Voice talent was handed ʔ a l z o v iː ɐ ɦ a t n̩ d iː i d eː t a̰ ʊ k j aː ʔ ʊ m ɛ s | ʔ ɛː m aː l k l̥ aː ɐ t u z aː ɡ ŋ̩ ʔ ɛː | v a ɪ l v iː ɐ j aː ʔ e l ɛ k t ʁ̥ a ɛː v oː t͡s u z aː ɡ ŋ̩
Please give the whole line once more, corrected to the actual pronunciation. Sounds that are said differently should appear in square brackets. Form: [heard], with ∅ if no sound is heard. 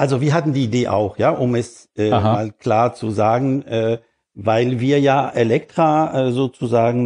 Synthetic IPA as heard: ʔ a l z o v iː ɐ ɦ a t n̩ d iː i d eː [ʔ] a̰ ʊ [x] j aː ʔ ʊ m ɛ s | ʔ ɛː m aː l k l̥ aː ɐ [t͡s] u z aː ɡ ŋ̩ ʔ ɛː | v a ɪ l v iː ɐ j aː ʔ e l ɛ k t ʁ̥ a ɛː [z] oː t͡s u z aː ɡ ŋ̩